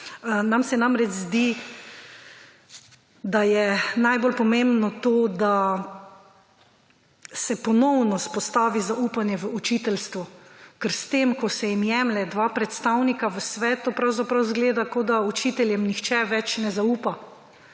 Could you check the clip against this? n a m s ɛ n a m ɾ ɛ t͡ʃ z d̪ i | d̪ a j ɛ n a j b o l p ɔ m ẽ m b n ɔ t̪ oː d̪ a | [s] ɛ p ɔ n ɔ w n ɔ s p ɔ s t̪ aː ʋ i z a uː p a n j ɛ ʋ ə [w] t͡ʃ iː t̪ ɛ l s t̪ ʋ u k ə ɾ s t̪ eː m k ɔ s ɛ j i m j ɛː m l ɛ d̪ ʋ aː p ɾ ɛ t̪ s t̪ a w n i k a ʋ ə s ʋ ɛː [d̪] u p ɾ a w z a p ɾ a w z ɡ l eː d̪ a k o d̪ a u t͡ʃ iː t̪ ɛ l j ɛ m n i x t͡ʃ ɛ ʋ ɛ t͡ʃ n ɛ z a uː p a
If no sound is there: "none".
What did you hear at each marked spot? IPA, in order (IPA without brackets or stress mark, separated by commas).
s, u, t̪